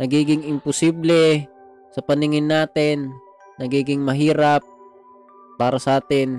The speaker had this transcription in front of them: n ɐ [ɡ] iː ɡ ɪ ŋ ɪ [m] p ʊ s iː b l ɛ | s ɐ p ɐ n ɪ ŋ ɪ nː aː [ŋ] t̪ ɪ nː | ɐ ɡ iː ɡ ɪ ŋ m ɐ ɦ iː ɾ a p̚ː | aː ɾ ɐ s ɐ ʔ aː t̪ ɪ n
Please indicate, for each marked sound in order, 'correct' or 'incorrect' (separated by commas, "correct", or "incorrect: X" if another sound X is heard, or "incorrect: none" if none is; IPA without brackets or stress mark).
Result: correct, correct, incorrect: none